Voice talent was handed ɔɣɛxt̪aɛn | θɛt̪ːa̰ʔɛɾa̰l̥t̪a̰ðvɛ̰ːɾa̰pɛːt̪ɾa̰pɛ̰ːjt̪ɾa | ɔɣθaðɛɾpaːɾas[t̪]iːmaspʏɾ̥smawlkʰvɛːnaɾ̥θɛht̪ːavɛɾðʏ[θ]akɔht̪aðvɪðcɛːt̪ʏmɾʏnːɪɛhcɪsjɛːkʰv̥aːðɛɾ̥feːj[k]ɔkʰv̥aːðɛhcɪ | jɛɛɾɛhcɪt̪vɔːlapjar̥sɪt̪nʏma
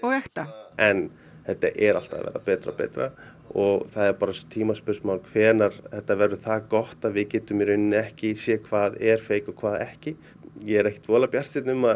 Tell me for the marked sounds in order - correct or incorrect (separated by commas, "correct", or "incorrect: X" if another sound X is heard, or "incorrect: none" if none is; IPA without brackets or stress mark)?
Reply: incorrect: t̪ʰ, correct, correct